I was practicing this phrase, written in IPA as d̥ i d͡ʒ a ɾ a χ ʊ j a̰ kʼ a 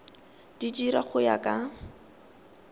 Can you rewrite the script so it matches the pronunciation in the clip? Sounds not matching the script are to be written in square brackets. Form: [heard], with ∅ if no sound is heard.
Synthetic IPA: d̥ i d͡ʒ [i] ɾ a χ ʊ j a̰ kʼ a